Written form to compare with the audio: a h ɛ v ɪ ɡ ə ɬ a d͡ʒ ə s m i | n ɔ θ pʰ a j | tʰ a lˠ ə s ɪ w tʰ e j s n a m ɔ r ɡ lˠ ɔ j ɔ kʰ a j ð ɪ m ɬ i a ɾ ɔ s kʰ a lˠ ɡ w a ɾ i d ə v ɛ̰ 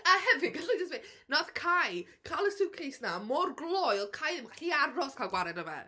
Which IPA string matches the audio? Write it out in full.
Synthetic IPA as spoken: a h ɛ v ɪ ɡ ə ɬ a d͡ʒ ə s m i | n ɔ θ kʰ a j | kʰ a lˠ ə s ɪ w kʰ e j s n a m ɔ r ɡ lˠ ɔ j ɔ kʰ a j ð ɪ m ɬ i a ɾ ɔ s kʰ a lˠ ɡ w a ɾ ɛ d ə v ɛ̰